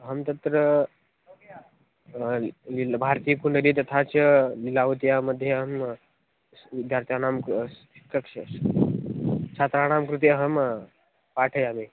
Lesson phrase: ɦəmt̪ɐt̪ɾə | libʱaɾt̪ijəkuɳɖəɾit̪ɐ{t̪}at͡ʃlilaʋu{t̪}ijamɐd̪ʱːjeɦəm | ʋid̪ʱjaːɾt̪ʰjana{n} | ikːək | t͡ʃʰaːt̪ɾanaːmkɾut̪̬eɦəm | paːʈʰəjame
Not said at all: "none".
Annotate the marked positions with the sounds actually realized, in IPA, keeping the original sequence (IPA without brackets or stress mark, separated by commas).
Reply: t̪ʰ, t̪, m